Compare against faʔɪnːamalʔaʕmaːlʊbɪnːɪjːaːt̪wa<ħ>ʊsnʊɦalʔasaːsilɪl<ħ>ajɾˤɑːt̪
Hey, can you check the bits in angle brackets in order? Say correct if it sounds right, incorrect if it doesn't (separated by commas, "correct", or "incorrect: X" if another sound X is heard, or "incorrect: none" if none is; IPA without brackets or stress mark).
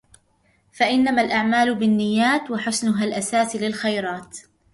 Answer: correct, incorrect: x